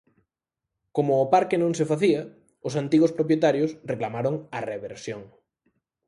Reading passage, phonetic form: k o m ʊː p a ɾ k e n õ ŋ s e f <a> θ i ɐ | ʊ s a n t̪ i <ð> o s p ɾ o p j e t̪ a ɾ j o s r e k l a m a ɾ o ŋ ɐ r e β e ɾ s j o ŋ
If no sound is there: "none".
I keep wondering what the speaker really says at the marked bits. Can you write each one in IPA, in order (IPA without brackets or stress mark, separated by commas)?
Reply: a, ɣ